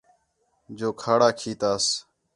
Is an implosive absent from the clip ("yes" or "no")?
yes